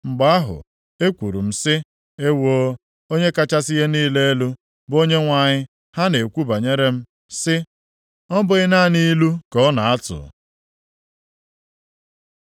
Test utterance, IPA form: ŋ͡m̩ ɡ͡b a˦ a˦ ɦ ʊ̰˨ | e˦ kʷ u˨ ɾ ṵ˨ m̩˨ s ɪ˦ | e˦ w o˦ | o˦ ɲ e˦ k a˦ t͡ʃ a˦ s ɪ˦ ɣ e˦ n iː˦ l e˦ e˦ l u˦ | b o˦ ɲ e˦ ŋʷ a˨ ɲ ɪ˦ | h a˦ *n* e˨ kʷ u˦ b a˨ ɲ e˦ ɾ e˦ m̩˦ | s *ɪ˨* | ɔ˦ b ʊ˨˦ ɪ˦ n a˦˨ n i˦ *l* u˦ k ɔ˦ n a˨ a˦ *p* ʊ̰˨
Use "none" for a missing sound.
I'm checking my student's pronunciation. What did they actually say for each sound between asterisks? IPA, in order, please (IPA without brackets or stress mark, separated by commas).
n, ɪ˦, l, t